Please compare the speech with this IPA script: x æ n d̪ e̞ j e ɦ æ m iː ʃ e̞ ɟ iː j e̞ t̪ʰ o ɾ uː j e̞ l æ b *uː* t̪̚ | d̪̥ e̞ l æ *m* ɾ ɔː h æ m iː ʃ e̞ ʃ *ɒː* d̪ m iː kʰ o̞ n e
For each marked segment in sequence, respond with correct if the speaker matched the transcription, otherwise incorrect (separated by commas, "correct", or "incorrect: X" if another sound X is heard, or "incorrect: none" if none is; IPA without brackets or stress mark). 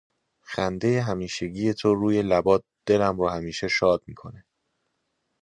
incorrect: ɒː, correct, correct